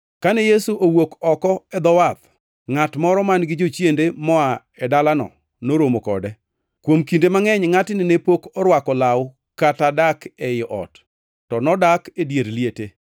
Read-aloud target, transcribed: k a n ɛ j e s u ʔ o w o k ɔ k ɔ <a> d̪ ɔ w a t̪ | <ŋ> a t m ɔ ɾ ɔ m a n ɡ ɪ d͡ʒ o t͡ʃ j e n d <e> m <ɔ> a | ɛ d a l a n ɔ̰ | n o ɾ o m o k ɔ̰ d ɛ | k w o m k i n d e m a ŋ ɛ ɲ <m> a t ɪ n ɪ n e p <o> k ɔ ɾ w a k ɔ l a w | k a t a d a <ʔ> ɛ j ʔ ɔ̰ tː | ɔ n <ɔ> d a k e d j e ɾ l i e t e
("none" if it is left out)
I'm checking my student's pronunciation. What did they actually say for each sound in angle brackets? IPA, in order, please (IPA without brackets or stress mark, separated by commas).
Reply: ɛ, ŋ, e, ɔ, ŋ, o, k, ɔ